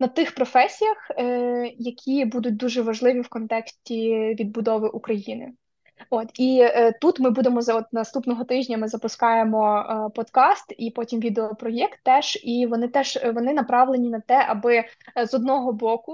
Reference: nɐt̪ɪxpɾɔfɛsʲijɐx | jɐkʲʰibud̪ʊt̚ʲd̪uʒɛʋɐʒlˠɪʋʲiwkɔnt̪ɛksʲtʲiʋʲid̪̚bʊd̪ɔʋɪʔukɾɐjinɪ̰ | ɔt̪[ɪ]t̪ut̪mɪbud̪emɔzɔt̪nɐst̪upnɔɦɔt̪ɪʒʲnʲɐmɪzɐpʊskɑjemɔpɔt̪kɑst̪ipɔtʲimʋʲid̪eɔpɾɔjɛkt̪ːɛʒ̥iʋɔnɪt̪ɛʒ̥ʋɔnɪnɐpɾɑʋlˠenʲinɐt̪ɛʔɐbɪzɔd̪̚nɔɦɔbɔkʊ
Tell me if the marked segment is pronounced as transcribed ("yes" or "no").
no